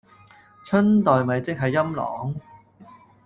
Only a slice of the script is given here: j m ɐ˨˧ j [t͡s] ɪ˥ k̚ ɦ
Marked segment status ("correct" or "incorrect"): correct